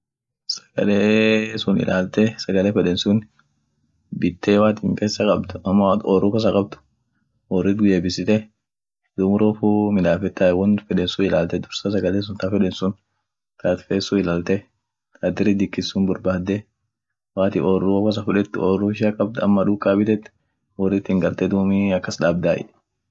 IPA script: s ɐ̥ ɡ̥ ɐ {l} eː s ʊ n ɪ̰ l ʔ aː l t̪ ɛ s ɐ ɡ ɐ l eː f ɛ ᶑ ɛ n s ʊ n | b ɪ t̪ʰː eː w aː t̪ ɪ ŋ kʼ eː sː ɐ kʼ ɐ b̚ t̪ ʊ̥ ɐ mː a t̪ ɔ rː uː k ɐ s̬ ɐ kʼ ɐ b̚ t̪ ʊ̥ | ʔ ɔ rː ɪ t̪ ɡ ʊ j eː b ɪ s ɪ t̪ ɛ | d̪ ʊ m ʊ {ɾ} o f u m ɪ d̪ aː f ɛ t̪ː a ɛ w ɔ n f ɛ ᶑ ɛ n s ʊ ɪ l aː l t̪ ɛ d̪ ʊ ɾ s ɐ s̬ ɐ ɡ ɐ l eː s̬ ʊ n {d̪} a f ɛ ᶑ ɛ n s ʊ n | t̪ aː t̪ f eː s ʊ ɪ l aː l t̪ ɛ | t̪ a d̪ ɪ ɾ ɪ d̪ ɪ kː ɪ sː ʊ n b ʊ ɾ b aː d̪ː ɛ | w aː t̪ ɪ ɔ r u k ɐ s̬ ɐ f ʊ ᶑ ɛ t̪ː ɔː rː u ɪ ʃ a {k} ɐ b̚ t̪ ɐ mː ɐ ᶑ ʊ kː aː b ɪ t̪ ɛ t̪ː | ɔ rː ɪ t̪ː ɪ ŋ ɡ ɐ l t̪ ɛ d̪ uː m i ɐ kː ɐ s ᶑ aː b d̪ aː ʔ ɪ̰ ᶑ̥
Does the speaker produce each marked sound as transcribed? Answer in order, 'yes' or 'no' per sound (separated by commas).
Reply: yes, yes, no, no